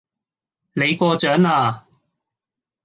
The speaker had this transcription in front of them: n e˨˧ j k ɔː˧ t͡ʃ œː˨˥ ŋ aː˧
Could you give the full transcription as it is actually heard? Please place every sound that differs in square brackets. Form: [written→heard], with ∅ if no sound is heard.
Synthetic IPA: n e˨˧ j k ɔː˧ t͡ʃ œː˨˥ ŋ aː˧